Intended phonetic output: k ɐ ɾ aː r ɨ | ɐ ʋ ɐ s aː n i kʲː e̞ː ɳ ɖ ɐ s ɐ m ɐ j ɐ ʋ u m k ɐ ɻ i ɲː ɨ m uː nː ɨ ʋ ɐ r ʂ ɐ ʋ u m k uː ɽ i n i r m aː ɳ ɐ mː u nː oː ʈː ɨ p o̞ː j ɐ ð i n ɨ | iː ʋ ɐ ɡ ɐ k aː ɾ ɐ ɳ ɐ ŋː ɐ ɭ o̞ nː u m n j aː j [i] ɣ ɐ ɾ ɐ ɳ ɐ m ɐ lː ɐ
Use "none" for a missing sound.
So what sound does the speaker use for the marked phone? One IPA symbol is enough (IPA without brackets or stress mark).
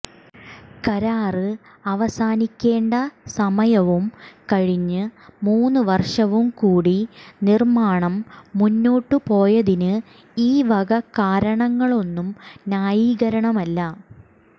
iː